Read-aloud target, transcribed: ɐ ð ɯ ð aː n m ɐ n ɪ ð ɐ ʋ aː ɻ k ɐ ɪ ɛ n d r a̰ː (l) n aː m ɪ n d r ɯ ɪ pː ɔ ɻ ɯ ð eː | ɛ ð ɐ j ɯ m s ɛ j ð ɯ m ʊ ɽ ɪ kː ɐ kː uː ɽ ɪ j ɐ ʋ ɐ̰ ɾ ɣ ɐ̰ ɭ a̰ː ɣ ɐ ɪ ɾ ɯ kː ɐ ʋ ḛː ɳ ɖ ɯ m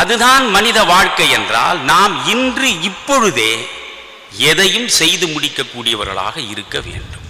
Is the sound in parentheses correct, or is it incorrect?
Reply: correct